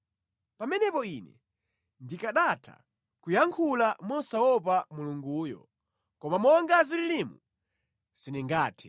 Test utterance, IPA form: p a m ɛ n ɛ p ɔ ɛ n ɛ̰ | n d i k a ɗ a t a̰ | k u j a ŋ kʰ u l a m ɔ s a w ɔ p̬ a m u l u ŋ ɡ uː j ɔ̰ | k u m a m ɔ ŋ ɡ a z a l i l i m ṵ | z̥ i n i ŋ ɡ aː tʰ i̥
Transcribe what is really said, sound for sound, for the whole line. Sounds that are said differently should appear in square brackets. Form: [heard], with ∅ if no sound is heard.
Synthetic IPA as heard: p a m ɛ n ɛ p ɔ [i] n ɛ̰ | n d i k a ɗ a [tʰ] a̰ | k u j a ŋ kʰ u l a m ɔ s a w ɔ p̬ a m u l u ŋ ɡ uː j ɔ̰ | k [ɔ] m a m ɔ ŋ ɡ a z [i] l i l i m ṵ | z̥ i n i ŋ ɡ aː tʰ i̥